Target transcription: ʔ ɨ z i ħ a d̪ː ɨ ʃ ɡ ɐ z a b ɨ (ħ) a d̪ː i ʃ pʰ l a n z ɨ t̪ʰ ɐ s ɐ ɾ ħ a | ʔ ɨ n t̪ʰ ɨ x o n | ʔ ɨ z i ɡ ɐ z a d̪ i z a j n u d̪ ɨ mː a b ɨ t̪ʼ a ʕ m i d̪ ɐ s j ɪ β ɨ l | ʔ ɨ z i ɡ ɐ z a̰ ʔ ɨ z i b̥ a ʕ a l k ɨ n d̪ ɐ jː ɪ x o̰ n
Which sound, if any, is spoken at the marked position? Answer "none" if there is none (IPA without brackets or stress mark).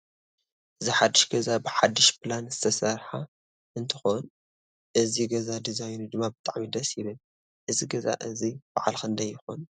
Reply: ħ